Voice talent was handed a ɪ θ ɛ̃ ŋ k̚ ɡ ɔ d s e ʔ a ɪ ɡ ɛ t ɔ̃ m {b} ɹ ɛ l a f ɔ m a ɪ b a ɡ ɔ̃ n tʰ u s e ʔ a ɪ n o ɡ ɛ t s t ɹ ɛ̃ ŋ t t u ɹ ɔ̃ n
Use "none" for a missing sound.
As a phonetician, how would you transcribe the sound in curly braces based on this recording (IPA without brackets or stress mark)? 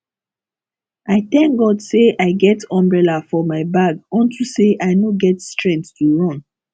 b